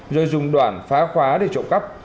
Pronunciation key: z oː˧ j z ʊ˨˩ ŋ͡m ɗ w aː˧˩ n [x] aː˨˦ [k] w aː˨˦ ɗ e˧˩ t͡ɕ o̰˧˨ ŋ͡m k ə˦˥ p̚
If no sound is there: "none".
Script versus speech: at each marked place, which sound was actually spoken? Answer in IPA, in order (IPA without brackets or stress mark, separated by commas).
f, x